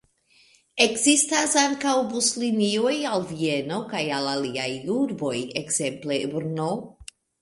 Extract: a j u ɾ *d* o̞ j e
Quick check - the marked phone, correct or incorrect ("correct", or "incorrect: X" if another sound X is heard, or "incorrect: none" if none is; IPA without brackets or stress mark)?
incorrect: b